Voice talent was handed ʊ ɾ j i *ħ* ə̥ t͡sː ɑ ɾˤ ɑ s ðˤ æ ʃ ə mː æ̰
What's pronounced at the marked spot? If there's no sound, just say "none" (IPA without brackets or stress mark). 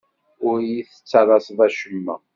θ